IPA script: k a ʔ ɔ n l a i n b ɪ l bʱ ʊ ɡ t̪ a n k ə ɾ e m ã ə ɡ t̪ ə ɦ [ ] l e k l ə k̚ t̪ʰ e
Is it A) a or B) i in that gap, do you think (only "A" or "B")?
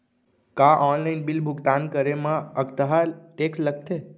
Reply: A